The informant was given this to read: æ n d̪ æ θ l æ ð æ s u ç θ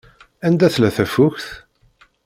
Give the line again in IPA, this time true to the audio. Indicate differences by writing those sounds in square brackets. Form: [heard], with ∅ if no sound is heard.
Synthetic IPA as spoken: æ n d̪ æ θ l æ [θ] æ [f] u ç θ